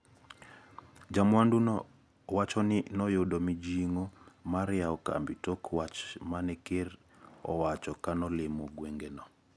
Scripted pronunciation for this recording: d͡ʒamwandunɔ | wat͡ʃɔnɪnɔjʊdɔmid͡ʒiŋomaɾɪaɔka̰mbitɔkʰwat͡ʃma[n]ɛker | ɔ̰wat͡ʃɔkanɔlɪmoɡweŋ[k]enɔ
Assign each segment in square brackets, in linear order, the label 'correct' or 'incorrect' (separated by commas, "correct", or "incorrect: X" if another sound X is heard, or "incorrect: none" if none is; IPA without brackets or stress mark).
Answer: correct, incorrect: ɡ